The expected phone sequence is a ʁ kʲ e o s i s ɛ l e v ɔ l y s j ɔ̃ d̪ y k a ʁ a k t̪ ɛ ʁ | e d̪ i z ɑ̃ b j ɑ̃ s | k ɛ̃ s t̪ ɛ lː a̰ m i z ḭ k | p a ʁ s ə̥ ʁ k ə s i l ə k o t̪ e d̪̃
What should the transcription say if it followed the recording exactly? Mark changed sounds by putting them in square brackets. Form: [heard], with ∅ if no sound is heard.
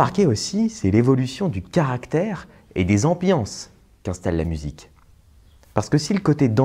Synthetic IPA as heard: a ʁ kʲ e o s i s ɛ l e v ɔ l y s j ɔ̃ d̪ y k a ʁ a k t̪ ɛ ʁ | e d̪ [e] z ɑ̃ b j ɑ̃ s | k ɛ̃ s t̪ [a] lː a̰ m [y] z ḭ k | p a ʁ s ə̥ [∅] k ə s i l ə k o t̪ e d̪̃